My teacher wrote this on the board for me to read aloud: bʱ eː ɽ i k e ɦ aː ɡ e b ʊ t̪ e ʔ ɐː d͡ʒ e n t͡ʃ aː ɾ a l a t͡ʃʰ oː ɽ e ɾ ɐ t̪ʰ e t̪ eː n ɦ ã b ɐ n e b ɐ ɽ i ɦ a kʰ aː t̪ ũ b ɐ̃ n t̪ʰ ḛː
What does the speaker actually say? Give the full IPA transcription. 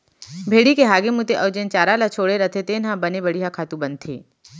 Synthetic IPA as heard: bʱ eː ɽ i k e ɦ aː ɡ e m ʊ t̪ e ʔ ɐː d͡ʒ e n t͡ʃ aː ɾ a l a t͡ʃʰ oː ɽ e ɾ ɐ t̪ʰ e t̪ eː n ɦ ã b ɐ n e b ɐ ɽ i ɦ a kʰ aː t̪ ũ b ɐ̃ n t̪ʰ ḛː